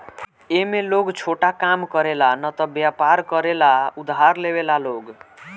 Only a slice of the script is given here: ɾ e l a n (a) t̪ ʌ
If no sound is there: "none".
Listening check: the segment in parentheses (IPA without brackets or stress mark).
ʌ